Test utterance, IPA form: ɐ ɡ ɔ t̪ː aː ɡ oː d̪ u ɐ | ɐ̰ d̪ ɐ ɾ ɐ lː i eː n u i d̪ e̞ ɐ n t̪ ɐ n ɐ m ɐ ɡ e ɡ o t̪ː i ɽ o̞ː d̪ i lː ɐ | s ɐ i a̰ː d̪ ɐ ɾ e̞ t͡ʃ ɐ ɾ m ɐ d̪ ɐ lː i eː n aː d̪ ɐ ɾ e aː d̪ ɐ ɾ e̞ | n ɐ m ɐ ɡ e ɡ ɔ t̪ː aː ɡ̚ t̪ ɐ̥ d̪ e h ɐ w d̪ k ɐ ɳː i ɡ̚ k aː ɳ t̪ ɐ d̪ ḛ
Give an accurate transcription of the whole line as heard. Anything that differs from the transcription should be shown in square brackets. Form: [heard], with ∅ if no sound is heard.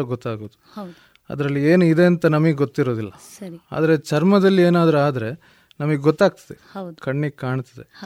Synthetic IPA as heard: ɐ ɡ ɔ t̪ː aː ɡ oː d̪ u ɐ | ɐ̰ d̪ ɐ ɾ ɐ lː i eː n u i d̪ e̞ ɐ n t̪ ɐ n ɐ m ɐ ɡ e ɡ o t̪ː i [ɾ] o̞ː d̪ i lː ɐ | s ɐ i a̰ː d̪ ɐ ɾ e̞ t͡ʃ ɐ ɾ m ɐ d̪ ɐ lː i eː n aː d̪ ɐ ɾ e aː d̪ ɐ ɾ e̞ | n ɐ m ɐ ɡ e ɡ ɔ t̪ː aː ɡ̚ t̪ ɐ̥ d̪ e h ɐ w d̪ k ɐ ɳː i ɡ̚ k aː ɳ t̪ ɐ d̪ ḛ